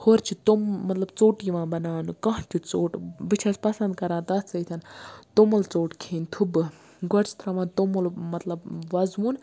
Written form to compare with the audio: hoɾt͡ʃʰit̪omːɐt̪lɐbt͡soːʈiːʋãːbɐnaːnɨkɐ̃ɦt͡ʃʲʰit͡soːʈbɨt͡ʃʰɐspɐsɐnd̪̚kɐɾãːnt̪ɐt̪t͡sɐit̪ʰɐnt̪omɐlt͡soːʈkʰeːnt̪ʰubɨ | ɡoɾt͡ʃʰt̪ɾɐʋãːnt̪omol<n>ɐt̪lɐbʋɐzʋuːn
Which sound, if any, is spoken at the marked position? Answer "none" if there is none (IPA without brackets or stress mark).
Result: m